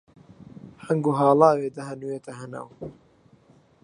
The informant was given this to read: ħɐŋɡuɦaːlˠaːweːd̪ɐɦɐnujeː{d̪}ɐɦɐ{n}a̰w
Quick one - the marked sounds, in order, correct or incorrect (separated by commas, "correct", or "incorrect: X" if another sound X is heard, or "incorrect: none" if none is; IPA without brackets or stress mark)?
incorrect: t̪, correct